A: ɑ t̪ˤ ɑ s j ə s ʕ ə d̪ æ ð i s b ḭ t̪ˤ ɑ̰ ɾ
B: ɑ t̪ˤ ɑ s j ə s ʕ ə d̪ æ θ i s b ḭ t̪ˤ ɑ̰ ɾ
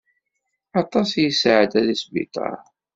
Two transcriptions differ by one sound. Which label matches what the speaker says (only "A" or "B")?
A